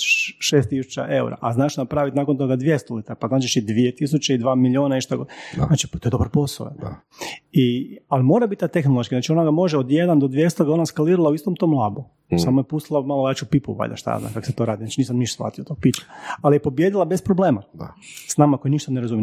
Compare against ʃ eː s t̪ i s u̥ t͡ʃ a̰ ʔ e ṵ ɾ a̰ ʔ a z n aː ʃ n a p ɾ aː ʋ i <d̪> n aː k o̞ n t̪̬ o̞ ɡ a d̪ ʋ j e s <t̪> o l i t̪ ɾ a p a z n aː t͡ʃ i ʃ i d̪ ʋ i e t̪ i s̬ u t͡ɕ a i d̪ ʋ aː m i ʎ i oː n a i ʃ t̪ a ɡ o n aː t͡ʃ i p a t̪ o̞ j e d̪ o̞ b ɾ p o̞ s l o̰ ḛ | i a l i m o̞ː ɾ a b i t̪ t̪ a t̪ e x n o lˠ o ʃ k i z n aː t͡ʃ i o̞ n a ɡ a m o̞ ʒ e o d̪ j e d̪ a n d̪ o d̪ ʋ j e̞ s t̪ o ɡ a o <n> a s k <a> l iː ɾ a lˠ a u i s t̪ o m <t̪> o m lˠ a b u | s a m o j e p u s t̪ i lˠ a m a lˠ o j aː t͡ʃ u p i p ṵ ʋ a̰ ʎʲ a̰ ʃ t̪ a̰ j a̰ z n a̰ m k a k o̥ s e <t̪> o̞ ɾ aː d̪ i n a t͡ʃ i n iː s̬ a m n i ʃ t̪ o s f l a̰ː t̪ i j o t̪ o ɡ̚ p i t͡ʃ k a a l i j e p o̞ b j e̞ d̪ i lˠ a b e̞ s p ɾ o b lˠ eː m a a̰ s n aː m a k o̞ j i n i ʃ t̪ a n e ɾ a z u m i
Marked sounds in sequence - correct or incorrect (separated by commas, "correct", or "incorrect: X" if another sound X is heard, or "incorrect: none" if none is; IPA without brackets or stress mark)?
incorrect: t̪, correct, correct, correct, correct, correct